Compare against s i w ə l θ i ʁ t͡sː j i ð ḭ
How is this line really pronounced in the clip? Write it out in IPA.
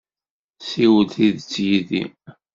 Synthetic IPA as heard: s i w ə l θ i ð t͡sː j i ð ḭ